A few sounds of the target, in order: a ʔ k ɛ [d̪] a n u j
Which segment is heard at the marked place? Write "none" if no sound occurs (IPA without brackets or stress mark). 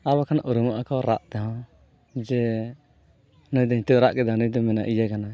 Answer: d̪